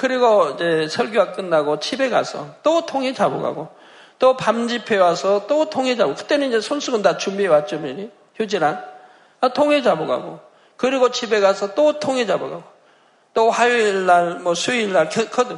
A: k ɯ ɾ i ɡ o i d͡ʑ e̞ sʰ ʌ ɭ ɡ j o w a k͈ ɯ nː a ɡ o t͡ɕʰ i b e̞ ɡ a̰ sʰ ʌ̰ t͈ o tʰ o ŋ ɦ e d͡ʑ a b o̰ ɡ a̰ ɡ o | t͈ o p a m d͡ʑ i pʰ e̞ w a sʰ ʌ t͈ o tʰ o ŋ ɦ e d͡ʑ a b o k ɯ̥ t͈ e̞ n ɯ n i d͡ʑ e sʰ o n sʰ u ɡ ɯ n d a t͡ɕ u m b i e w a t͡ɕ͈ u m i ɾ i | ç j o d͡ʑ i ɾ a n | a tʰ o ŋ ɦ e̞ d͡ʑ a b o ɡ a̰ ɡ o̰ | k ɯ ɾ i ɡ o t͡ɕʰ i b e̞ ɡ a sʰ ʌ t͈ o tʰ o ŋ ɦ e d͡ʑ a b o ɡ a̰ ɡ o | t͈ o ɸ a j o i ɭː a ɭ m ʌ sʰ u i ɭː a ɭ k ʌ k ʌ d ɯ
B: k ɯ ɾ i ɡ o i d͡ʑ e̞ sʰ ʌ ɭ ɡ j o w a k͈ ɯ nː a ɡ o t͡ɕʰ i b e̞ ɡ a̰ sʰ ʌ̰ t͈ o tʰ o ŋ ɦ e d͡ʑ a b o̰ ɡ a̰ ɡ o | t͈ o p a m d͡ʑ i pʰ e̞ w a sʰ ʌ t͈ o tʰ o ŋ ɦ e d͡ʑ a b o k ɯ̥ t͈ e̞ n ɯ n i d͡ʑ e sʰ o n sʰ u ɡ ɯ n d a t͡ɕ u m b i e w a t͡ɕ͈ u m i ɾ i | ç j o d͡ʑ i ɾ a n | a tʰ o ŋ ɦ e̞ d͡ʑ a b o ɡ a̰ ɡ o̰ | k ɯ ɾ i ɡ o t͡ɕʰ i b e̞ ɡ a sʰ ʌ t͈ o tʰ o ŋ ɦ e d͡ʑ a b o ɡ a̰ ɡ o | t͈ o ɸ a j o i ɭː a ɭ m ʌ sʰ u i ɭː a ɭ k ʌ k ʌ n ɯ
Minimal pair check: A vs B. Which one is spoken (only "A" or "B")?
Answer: A